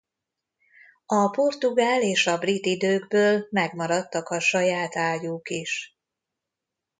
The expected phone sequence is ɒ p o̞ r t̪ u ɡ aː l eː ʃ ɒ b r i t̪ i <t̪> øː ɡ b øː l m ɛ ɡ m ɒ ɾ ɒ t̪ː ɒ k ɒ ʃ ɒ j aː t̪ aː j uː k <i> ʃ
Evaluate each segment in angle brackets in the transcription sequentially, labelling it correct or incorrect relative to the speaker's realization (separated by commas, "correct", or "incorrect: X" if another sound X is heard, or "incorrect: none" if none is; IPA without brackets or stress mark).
incorrect: d̪, correct